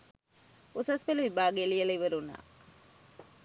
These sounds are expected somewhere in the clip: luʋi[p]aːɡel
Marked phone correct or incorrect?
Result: incorrect